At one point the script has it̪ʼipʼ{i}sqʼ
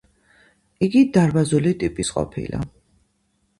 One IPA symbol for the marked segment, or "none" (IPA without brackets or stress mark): i